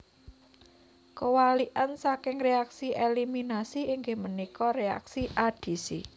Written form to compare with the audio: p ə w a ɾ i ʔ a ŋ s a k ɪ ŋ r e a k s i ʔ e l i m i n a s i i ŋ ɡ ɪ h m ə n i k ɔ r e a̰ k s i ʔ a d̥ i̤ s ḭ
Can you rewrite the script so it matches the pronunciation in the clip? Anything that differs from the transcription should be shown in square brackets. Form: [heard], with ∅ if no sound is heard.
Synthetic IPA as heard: [k] ə w a [l] i ʔ a [n] s a k ɪ ŋ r e a k s i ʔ e l i m i n a s i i ŋ ɡ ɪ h m ə n i k ɔ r e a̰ k s i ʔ a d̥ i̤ s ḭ